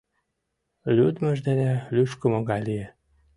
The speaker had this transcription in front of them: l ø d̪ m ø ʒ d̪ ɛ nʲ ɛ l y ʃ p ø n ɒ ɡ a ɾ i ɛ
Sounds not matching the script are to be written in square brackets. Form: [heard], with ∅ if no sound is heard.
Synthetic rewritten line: l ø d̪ m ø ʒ d̪ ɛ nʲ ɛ l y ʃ [k] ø [m] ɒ ɡ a [l] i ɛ